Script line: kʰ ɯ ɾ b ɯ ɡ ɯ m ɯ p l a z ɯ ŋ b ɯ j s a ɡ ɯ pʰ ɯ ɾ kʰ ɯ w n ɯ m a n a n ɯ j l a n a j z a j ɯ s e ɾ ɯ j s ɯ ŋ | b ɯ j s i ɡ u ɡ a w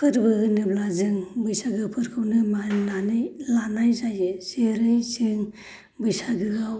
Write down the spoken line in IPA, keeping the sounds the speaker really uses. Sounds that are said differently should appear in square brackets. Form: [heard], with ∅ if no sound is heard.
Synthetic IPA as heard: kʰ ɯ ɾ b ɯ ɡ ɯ [n] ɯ [b] l a z ɯ ŋ b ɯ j s a ɡ ɯ pʰ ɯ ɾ kʰ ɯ w n ɯ m a n a n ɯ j l a n a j z a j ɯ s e ɾ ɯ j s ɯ ŋ | b ɯ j s [a] ɡ [ɯ] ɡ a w